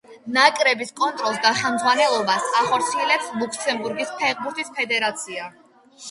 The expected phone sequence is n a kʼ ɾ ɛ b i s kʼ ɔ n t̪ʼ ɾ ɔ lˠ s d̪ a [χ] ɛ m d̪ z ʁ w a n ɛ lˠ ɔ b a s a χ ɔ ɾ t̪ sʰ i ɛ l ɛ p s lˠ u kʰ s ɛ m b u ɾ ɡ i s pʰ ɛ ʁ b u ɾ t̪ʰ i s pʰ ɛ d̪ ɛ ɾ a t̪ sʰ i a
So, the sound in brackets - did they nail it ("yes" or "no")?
yes